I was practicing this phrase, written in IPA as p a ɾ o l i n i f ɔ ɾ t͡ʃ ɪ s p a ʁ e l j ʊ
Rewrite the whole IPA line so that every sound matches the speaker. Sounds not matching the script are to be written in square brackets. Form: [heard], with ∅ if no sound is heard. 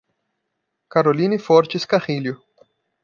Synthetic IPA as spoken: [k] a ɾ o l i n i f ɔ ɾ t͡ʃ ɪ s [k] a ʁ [i] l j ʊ